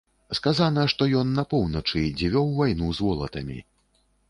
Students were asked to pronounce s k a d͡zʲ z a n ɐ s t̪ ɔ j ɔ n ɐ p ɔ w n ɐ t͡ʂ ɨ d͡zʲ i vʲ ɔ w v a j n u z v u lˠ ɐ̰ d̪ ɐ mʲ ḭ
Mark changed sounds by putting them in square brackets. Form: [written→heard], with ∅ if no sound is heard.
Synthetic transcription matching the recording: s k a [d͡zʲ→∅] z a n ɐ [s→ʂ] t̪ ɔ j ɔ [n→nː] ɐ p ɔ w n ɐ t͡ʂ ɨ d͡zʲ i vʲ ɔ w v a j n u z v [u→ɔ] lˠ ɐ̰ [d̪→t̪] ɐ mʲ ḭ